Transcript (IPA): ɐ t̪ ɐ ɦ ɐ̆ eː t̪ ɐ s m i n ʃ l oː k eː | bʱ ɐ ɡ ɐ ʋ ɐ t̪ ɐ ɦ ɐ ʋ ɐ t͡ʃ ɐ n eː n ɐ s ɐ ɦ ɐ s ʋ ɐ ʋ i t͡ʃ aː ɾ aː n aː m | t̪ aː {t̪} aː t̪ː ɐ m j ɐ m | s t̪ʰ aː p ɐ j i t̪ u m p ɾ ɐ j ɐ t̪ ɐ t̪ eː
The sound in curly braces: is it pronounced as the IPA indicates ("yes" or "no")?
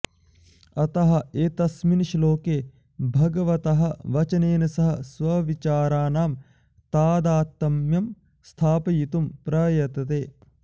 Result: no